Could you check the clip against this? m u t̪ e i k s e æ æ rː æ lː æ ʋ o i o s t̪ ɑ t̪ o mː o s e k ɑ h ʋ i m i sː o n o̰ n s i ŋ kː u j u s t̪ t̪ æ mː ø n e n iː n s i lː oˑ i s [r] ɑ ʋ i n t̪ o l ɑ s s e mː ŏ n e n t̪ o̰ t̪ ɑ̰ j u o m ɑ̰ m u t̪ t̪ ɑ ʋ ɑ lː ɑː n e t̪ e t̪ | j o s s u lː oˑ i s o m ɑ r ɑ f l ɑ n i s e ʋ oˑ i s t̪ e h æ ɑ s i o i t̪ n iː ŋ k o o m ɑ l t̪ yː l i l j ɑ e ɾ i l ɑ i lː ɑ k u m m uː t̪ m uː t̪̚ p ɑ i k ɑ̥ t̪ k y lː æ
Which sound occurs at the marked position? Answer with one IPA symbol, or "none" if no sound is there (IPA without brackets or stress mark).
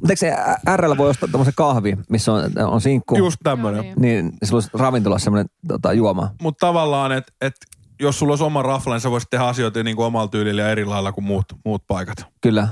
r